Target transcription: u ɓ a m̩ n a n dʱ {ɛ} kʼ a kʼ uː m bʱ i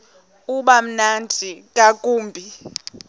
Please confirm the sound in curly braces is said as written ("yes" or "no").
no